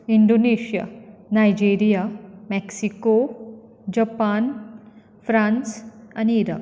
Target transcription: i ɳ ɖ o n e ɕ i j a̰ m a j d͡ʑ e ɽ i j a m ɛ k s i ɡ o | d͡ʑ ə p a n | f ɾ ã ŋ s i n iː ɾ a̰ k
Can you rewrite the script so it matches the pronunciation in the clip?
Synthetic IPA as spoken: i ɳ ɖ o n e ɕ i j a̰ n a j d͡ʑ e ɾ i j a m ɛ k s i k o | d͡ʑ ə p a n | f ɾ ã n s a n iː ɾ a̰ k